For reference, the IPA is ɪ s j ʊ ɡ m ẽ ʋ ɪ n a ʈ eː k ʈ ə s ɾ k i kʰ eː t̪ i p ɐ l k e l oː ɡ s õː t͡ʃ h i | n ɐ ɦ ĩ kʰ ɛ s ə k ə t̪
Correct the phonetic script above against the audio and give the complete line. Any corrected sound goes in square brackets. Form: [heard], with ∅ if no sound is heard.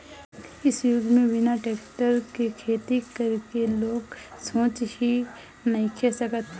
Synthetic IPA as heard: ɪ s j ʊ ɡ m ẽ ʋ ɪ n a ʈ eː k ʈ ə [∅] ɾ k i kʰ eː t̪ i [k] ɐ [ɾ] k e l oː ɡ s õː t͡ʃ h i | n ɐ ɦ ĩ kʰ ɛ s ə k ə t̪

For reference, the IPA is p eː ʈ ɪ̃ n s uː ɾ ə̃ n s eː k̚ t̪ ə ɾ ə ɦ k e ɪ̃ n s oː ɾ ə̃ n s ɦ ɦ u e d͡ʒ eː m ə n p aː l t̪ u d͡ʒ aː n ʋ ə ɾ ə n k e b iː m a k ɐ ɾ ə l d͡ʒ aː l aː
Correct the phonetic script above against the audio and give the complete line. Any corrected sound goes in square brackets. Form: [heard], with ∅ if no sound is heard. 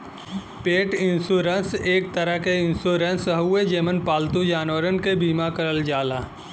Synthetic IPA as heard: p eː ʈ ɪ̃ n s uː ɾ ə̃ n s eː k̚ t̪ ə ɾ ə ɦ k e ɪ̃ n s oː ɾ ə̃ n s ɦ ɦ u e d͡ʒ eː m ə n p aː l t̪ u d͡ʒ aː n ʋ ə ɾ ə n k e b iː m a k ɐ ɾ ə l d͡ʒ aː l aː

